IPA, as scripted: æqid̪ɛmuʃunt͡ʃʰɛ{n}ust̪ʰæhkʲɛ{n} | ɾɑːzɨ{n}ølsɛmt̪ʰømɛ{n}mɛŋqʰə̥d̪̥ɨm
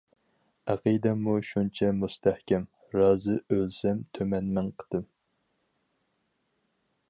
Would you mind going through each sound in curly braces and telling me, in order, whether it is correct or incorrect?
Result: incorrect: m, incorrect: m, incorrect: none, correct

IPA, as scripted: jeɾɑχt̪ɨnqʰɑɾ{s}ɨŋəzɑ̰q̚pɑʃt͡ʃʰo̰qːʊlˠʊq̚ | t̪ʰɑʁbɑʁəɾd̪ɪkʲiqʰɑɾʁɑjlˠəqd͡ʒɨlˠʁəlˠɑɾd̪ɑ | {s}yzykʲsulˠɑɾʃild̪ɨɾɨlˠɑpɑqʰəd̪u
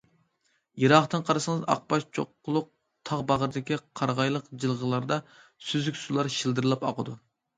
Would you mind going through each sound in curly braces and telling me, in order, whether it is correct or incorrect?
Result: correct, correct

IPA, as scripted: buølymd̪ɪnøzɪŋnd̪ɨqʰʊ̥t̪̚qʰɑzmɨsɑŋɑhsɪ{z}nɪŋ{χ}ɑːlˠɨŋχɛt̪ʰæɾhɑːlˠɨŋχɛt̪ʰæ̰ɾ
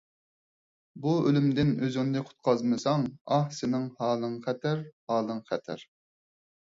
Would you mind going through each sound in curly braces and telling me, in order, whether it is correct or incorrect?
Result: incorrect: none, incorrect: h

